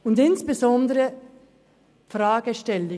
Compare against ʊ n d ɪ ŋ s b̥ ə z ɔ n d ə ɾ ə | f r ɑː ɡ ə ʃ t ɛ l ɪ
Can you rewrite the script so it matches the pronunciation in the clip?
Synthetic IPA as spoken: ʊ n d ɪ n s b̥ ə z ɔ n d ə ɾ ə | f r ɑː ɡ ə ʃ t ɛ l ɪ